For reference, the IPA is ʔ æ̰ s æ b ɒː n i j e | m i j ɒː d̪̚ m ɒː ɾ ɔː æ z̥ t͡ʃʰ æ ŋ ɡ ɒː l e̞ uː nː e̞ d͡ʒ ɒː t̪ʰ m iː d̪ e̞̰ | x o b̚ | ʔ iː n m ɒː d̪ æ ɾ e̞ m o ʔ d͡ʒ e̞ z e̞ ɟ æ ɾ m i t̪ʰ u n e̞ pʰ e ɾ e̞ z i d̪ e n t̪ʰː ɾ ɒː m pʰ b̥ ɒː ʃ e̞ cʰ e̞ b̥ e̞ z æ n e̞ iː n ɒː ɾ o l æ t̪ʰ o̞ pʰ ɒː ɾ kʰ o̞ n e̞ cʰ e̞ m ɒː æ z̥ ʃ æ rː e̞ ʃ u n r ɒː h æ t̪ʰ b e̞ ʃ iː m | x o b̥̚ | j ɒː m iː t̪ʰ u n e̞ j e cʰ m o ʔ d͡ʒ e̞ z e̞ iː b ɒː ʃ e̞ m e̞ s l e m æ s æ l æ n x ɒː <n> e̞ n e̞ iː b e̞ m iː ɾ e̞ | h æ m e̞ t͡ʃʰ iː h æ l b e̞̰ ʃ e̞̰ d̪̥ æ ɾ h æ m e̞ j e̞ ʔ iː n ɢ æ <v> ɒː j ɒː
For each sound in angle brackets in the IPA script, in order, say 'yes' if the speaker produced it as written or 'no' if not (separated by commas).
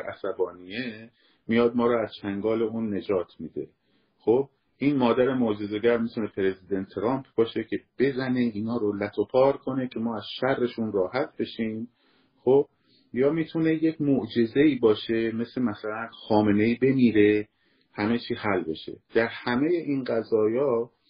no, no